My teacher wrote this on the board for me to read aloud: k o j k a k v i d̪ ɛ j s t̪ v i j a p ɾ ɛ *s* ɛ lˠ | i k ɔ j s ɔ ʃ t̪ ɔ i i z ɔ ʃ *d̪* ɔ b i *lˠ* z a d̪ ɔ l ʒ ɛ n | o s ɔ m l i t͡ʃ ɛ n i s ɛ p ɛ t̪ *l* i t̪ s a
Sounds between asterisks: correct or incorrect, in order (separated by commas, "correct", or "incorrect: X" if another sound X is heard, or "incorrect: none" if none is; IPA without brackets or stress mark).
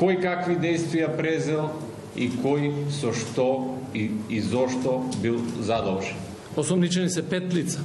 incorrect: z, incorrect: t̪, correct, correct